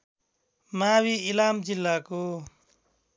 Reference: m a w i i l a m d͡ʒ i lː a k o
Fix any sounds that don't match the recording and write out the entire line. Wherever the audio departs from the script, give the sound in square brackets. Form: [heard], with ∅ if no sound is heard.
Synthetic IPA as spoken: m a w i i l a m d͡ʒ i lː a k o